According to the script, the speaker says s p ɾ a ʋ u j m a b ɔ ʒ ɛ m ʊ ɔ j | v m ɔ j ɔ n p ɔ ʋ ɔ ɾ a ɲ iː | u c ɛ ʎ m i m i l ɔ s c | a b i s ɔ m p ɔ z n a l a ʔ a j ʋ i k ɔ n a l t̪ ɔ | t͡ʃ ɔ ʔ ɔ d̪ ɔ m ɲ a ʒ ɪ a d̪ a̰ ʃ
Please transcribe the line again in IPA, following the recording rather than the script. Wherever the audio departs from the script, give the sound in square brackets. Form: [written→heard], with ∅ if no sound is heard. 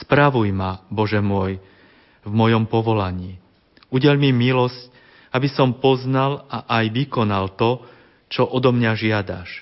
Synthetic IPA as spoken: s p ɾ a ʋ u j m a b ɔ ʒ ɛ m ʊ ɔ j | v m ɔ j ɔ [n→m] p ɔ ʋ ɔ [ɾ→l] a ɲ iː | u [c→ɟ] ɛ ʎ m i m i l ɔ s c | a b i s ɔ m p ɔ z n a l a ʔ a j ʋ i k ɔ n a l t̪ ɔ | t͡ʃ ɔ ʔ ɔ d̪ ɔ m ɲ a ʒ ɪ a d̪ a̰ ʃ